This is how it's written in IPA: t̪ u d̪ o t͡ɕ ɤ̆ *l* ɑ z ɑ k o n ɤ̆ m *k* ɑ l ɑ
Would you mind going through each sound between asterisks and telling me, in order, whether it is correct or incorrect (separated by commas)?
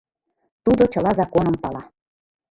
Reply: correct, incorrect